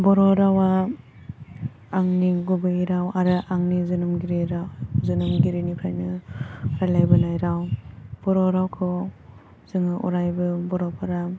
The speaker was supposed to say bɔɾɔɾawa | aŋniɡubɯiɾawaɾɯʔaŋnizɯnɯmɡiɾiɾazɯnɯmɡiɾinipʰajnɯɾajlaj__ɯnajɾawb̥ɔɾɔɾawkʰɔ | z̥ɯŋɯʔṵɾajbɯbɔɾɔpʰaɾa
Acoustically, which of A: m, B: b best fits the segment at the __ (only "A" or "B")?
B